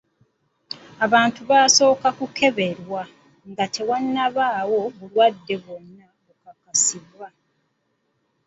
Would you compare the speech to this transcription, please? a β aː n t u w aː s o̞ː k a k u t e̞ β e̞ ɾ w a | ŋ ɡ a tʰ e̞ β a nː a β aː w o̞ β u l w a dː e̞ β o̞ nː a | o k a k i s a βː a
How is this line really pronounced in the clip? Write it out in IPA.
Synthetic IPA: a β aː n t u β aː s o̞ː k a k u k e̞ β e̞ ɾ w a | ŋ ɡ a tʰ e̞ w a nː a β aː w o̞ β u l w a dː e̞ β o̞ nː a | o k a k a s i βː a